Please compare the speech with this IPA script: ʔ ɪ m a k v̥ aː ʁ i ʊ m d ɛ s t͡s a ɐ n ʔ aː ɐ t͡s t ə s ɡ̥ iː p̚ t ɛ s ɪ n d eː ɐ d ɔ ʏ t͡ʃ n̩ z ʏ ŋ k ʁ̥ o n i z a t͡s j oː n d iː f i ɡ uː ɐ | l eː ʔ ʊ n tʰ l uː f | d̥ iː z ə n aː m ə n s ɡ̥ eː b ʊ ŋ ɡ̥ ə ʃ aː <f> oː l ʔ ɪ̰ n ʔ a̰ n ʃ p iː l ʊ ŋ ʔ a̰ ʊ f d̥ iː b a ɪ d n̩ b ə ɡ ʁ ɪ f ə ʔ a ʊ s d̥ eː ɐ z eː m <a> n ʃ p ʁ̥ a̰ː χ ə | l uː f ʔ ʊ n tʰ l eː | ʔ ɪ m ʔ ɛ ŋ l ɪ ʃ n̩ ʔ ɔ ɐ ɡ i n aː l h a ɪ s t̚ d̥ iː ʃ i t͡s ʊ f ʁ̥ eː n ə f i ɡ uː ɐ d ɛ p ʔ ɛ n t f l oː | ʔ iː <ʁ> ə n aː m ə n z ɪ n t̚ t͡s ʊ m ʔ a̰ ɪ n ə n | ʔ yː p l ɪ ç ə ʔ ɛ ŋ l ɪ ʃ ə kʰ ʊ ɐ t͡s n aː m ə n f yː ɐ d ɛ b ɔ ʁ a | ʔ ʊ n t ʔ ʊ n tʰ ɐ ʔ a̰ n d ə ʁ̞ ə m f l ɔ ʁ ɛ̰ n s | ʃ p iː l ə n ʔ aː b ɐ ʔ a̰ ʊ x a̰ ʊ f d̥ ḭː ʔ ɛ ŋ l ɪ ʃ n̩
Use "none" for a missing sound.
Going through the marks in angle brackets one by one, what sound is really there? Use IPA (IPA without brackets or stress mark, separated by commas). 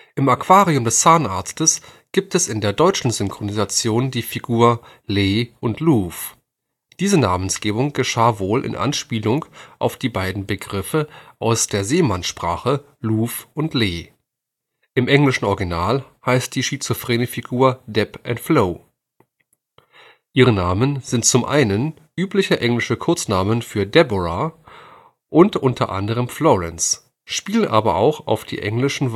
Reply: v, a, ʁ